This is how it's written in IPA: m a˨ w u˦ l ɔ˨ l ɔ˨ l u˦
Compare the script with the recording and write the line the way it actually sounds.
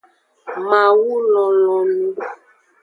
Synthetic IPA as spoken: m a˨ w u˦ l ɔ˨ l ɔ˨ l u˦